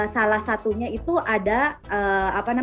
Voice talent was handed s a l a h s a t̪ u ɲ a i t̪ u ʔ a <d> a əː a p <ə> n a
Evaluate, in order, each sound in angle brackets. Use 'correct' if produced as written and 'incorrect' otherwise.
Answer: correct, incorrect

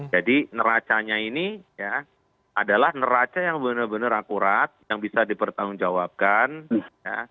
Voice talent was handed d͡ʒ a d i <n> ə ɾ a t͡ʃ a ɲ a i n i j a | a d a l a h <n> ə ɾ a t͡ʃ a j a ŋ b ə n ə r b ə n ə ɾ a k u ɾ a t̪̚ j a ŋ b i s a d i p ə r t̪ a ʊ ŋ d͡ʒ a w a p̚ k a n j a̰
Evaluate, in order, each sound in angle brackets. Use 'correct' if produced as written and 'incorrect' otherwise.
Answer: correct, correct

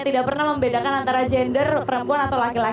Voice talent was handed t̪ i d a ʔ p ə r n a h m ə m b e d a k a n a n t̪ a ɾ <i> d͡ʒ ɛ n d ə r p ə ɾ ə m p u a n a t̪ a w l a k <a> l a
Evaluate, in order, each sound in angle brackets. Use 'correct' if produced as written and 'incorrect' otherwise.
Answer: incorrect, incorrect

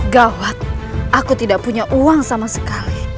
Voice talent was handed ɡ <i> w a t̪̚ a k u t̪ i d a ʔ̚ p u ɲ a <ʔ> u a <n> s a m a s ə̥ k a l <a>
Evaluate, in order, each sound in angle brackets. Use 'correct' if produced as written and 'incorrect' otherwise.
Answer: incorrect, correct, incorrect, incorrect

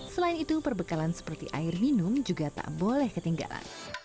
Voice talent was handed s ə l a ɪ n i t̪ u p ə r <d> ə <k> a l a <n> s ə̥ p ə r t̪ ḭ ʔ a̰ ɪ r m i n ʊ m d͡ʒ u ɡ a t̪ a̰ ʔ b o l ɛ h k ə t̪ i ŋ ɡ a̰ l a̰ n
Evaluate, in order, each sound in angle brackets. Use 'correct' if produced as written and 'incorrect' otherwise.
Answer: incorrect, correct, correct

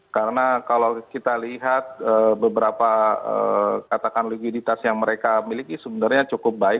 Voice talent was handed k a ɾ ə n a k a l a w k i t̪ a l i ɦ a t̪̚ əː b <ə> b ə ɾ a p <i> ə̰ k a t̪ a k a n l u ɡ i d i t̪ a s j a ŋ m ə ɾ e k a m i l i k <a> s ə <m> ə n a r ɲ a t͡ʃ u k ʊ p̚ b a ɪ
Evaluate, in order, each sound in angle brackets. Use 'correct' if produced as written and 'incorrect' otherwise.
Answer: correct, incorrect, incorrect, incorrect

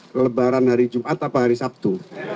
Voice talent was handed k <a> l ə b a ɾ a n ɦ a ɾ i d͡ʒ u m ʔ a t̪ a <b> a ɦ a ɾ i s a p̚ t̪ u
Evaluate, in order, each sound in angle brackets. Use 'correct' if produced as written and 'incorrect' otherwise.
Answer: incorrect, incorrect

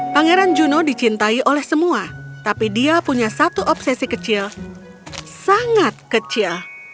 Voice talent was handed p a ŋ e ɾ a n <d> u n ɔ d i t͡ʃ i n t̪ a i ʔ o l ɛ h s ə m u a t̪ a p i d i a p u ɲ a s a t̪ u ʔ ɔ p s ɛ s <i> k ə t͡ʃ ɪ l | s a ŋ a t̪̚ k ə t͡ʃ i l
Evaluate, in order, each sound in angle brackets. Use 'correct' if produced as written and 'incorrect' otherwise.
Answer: incorrect, correct

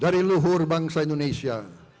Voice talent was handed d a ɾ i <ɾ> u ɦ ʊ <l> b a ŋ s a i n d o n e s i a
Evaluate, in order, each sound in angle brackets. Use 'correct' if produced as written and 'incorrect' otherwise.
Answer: incorrect, incorrect

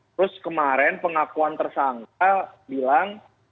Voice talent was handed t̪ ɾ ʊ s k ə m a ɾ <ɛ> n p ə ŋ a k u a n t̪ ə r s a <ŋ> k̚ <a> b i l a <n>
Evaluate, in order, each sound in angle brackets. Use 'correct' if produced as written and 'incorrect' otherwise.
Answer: correct, correct, correct, incorrect

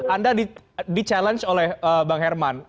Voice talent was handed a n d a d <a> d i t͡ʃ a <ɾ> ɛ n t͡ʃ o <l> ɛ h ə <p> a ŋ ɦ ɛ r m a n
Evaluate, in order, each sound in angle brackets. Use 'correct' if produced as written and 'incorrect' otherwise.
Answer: incorrect, incorrect, correct, incorrect

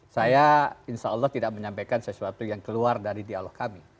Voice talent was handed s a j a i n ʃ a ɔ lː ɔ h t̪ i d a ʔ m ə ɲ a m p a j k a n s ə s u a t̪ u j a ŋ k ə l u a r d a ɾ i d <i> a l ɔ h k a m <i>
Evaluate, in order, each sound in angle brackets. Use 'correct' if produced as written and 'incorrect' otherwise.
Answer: correct, correct

